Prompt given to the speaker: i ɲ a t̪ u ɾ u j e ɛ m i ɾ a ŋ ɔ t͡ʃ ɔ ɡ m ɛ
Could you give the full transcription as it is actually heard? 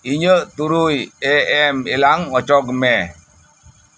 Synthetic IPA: i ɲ ə t̪ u ɾ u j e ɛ m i l a ŋ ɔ t͡ʃ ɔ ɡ m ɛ